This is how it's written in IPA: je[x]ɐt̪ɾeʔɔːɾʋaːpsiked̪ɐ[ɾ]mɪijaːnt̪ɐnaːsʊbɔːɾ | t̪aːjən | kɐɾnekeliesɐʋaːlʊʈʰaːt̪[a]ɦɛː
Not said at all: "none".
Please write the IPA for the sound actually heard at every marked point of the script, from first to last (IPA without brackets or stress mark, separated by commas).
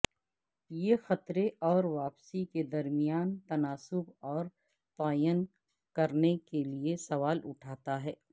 x, ɾ, a